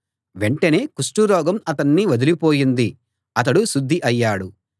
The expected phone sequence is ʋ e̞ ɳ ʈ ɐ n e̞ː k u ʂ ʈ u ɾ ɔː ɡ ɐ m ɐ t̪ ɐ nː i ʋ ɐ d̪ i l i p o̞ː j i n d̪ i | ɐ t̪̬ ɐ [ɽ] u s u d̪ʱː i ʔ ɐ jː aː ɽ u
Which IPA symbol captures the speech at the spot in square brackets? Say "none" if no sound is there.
ɽ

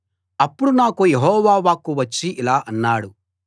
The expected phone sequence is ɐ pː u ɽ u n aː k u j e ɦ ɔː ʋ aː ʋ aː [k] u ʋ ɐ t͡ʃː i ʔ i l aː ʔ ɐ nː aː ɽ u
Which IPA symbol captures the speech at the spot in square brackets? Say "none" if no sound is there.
k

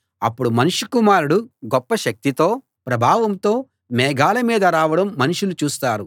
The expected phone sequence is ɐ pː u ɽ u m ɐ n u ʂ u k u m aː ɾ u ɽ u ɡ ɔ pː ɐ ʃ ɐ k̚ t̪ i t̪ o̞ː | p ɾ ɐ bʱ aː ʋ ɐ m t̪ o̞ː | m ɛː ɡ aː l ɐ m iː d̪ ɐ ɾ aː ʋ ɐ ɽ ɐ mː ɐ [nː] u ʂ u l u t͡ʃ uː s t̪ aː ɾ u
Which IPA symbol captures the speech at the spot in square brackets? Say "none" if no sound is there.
n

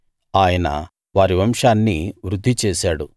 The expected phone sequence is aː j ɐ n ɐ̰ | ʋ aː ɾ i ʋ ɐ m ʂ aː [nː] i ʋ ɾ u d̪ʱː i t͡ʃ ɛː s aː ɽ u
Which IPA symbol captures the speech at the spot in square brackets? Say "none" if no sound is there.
nː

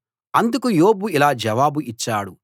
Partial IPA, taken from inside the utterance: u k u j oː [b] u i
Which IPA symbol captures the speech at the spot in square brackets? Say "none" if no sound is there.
b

